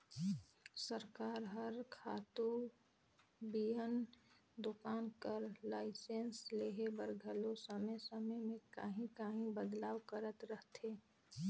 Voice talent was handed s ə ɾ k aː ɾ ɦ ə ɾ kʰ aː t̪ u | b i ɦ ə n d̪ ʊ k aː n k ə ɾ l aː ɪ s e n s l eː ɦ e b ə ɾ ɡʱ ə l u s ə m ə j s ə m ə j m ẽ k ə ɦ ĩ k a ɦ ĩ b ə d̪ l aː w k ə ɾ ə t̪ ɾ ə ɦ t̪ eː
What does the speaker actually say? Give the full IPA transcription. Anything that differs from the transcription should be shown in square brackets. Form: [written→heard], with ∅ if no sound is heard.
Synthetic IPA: s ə ɾ k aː ɾ ɦ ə ɾ kʰ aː t̪ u | b i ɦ ə n d̪ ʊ k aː n k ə ɾ l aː ɪ s e n s l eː ɦ e b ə ɾ ɡʱ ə l [u→o] s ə m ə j s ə m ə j m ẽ k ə ɦ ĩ k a ɦ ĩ b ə d̪ l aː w k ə ɾ ə t̪ ɾ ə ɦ t̪ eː